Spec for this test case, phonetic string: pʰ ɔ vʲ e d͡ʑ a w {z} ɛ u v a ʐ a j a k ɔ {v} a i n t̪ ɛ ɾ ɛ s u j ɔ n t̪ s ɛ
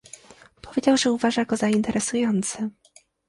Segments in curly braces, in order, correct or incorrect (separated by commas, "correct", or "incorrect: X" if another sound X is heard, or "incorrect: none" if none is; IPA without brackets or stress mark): incorrect: ʐ, incorrect: z